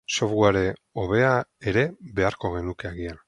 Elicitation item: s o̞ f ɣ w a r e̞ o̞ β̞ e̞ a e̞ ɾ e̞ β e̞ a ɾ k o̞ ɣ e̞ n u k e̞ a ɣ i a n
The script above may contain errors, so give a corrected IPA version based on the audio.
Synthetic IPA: s o̞ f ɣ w a ɾ e̞ o̞ β̞ e̞ a e̞ ɾ e̞ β e̞ a ɾ k o̞ ɣ e̞ n u k e̞ a ɣ i a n